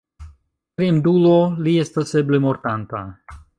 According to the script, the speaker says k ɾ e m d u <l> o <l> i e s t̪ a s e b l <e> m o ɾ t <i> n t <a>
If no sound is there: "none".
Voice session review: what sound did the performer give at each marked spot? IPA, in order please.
l, l, e, a, a

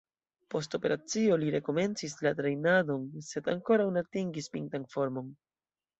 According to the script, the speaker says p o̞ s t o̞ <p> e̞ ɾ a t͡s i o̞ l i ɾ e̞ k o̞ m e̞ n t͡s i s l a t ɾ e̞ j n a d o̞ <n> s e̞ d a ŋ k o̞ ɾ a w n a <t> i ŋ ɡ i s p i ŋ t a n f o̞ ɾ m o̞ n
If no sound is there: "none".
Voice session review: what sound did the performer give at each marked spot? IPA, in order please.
p, n, t

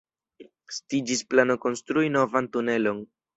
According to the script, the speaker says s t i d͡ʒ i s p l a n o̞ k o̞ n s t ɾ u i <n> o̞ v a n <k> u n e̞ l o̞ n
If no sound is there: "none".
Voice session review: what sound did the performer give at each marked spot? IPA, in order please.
n, t

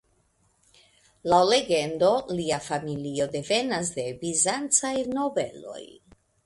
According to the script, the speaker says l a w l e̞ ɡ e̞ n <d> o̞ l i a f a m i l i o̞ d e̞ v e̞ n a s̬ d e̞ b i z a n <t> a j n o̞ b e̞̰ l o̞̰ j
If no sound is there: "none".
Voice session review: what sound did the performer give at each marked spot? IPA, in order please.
d, t͡s

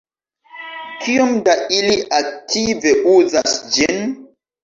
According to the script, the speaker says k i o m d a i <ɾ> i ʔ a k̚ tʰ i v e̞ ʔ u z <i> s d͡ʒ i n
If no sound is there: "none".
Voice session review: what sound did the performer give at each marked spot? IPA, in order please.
l, a

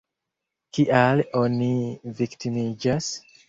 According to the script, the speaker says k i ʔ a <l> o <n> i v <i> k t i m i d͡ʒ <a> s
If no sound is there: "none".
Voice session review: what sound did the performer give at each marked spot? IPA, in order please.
l, n, i, a

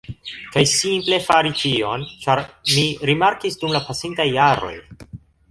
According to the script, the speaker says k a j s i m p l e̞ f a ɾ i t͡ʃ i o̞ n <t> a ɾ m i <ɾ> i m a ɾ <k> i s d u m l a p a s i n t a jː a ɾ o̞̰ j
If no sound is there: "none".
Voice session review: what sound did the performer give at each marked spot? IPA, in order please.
t͡ʃ, ɾ, k

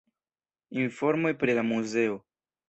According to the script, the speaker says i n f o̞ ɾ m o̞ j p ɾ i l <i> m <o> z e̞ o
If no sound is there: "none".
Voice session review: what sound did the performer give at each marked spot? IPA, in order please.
a, u

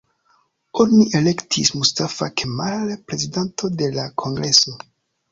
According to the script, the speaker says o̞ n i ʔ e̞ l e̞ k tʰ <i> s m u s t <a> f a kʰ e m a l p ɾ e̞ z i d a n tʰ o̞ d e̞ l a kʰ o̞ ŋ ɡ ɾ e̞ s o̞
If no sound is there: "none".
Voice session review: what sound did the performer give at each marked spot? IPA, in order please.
i, a

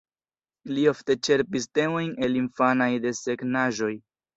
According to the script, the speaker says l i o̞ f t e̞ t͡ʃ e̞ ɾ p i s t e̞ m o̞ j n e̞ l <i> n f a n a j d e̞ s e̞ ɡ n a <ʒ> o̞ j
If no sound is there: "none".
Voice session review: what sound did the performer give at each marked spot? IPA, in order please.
i, ʒ

